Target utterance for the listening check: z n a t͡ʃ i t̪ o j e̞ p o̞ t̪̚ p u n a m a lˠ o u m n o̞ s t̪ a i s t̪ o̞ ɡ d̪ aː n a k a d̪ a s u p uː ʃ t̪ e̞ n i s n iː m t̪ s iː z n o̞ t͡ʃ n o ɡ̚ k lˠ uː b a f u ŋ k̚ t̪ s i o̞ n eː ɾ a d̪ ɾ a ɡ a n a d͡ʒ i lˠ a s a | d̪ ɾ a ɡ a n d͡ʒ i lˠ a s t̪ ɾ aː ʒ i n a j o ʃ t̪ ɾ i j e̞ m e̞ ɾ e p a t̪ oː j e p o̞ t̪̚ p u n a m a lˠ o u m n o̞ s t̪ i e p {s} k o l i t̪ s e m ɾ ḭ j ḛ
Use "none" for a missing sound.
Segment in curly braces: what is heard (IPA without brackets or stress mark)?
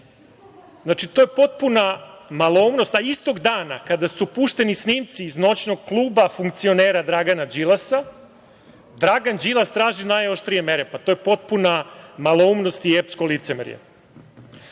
s